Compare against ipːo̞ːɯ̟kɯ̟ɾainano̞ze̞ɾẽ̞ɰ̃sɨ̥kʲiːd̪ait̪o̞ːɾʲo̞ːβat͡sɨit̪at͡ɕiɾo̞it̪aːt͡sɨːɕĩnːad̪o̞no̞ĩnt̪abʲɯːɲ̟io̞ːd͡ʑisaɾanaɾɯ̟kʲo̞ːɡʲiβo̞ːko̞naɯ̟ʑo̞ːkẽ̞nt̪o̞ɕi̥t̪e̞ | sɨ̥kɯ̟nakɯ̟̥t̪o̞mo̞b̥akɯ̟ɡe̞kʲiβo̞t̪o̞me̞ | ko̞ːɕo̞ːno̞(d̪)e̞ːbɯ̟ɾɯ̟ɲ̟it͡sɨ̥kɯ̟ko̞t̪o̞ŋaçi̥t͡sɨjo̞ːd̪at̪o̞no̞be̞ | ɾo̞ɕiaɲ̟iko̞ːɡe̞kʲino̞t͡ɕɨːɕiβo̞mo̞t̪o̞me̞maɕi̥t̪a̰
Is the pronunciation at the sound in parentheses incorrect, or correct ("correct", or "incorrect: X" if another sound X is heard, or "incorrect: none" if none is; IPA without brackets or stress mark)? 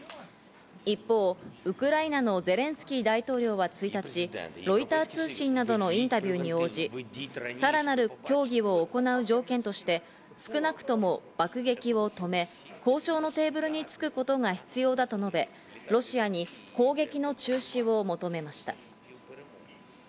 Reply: incorrect: t̪